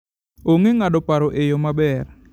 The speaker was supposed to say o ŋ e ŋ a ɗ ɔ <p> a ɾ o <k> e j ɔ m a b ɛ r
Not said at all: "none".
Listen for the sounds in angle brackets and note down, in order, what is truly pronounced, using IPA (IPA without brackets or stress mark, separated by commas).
p, ʔ